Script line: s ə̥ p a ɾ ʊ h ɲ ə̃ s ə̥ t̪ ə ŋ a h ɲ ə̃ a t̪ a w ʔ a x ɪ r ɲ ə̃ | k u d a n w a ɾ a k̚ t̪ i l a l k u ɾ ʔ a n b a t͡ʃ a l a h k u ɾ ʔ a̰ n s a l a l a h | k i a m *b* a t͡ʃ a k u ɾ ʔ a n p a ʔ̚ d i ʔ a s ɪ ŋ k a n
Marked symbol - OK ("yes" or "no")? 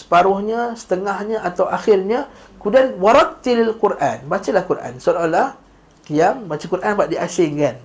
yes